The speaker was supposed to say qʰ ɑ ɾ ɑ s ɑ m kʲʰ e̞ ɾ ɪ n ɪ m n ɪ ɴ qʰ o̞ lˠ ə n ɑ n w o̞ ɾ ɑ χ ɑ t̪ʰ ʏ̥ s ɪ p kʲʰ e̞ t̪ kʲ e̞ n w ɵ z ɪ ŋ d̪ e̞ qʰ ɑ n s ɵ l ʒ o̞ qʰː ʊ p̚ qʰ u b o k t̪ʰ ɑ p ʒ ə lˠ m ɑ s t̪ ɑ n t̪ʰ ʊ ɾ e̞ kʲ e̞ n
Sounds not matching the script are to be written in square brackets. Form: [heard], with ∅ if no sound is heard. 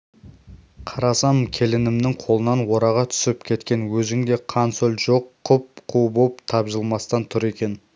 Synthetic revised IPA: qʰ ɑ ɾ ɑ s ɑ m kʲʰ e̞ [l] ɪ n ɪ m n ɪ [ŋ] qʰ o̞ lˠ ə n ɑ n w o̞ ɾ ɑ [ʁ] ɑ t̪ʰ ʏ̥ s ɪ p kʲʰ e̞ t̪ kʲ e̞ n w ɵ z ɪ ŋ d̪ e̞ qʰ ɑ n s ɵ l ʒ o̞ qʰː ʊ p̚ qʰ u b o [p] t̪ʰ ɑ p ʒ ə lˠ m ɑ s t̪ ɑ n t̪ʰ ʊ ɾ e̞ kʲ e̞ n